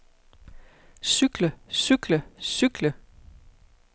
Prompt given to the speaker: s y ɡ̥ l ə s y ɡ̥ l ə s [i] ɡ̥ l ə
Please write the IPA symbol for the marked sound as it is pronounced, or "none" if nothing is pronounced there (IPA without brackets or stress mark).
y